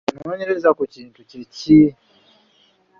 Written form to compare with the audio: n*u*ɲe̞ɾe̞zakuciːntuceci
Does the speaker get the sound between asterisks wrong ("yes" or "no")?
yes